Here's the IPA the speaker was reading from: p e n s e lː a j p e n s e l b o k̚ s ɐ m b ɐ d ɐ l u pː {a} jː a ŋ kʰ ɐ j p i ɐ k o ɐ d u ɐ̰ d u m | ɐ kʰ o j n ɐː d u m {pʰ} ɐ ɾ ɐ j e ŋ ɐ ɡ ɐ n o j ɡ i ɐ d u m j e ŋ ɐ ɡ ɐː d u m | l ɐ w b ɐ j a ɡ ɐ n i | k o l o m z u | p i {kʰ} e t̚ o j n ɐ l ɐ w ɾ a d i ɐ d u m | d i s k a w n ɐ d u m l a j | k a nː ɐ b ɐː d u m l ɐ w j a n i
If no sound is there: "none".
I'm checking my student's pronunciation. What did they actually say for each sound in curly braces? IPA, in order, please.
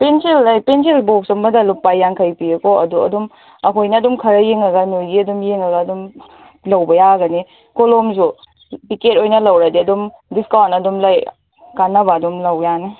a, kʰ, k

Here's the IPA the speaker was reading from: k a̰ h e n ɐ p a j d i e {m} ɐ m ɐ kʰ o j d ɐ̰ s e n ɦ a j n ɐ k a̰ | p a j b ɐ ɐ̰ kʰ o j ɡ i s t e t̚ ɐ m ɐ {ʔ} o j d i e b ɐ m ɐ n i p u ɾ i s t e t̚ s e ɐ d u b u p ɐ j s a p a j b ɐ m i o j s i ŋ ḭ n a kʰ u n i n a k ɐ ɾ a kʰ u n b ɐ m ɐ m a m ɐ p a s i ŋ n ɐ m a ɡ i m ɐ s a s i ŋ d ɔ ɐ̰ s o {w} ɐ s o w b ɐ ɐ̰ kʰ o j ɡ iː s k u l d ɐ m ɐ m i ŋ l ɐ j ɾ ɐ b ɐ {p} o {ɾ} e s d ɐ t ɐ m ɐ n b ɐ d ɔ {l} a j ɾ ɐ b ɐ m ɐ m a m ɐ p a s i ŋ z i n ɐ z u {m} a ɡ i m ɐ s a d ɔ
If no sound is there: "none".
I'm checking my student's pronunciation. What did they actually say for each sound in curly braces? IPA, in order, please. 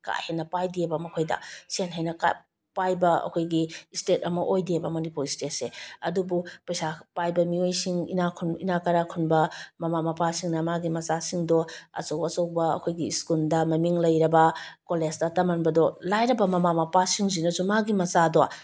b, ʔ, w, k, l, l, m

